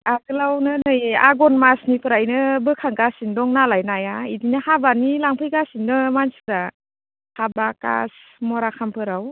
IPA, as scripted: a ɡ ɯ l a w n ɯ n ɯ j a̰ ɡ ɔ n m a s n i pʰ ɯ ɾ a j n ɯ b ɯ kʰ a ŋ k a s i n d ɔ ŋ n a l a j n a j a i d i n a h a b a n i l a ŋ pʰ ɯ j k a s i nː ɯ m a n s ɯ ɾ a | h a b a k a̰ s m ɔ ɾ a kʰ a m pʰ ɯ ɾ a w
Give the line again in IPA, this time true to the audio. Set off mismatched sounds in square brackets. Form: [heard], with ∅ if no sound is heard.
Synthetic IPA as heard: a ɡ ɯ l a w n ɯ n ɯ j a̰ ɡ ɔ n m a s n i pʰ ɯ ɾ a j n ɯ b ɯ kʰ a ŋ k a s i n d ɔ ŋ n a l a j n a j a i d i n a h a b a n i l a ŋ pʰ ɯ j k a s i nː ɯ m a n s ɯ ɾ a | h a b a k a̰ s m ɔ ɾ a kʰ a m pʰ ɯ ɾ a w